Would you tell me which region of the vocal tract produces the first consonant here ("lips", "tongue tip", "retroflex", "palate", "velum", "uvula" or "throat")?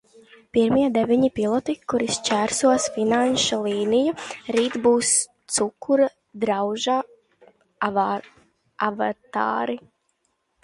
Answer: lips